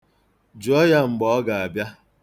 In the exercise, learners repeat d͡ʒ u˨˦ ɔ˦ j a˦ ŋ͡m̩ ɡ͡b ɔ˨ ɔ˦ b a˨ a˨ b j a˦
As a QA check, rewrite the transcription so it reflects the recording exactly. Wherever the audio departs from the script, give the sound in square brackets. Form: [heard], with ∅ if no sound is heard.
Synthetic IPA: d͡ʒ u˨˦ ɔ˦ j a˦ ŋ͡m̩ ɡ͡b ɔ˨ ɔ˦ [ɡ] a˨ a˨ b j a˦